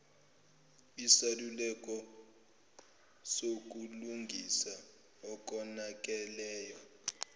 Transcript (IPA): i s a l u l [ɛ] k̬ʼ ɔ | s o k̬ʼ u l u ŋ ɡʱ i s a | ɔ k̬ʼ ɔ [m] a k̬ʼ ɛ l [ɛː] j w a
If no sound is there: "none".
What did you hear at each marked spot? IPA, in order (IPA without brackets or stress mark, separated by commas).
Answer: ɛ, n, ɛː